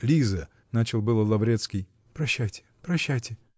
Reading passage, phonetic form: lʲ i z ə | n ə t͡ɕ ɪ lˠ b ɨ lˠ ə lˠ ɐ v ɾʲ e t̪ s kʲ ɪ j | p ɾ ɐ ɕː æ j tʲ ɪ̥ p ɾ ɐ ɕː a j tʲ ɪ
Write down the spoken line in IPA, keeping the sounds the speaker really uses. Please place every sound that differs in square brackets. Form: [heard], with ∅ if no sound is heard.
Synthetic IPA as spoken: lʲ i z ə | n [a] t͡ɕ ɪ lˠ b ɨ lˠ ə lˠ ɐ v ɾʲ e t̪ s kʲ ɪ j | p ɾ ɐ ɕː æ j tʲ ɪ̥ p ɾ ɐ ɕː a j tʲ ɪ

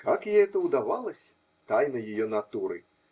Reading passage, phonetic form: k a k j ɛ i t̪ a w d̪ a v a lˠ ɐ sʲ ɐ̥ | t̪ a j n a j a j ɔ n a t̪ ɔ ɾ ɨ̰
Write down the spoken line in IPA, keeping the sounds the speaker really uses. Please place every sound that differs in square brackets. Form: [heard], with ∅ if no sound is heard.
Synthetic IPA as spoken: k a k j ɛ [ɛ] t̪ [ɐ] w d̪ a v a lˠ ɐ sʲ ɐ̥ | t̪ a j n [ɐ] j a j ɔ n a t̪ [u] ɾ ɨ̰

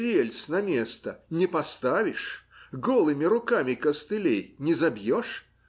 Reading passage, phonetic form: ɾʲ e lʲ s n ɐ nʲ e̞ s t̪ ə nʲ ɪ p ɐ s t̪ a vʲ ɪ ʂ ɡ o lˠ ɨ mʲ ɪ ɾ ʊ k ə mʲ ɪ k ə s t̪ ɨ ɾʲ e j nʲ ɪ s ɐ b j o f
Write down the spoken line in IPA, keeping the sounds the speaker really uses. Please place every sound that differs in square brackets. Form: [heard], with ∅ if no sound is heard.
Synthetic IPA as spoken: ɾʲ e lʲ s n ɐ [mʲ] e̞ s t̪ ə nʲ ɪ p ɐ s t̪ a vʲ ɪ ʂ ɡ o lˠ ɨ mʲ ɪ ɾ ʊ k [a] mʲ ɪ k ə s t̪ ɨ [lʲ] e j nʲ ɪ [z] ɐ b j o [ʂ]

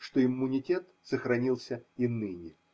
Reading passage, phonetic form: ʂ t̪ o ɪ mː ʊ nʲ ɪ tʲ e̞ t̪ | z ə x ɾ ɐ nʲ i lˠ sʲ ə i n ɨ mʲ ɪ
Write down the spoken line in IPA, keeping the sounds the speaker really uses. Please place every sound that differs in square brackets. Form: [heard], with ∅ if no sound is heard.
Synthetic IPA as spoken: ʂ t̪ o ɪ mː ʊ nʲ ɪ tʲ e̞ t̪ | [s] ə x ɾ ɐ nʲ i lˠ sʲ ə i n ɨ [nʲ] ɪ

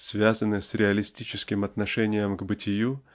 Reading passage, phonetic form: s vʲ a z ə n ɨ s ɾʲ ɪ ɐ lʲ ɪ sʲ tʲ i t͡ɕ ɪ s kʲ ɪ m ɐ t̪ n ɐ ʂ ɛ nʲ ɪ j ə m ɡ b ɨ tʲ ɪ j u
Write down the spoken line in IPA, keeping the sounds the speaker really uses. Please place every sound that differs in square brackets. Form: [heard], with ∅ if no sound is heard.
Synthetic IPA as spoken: s vʲ a z ə n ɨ s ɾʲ ɪ ɐ lʲ ɪ sʲ tʲ i t͡ɕ ɪ s kʲ ɪ m ɐ t̪ n ɐ ʂ ɛ nʲ ɪ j ə m ɡ b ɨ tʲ ɪ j u

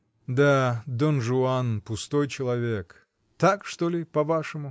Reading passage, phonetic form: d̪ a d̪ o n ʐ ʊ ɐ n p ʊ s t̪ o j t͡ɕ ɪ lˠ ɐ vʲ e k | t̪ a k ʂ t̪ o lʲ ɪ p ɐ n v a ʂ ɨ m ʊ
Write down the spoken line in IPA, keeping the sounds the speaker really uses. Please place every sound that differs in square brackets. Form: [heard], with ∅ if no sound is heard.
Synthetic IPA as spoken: d̪ a d̪ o n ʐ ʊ [a] n p ʊ s t̪ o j t͡ɕ ɪ lˠ ɐ vʲ e k | t̪ a k ʂ t̪ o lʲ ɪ p ɐ [∅] v a ʂ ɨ m ʊ

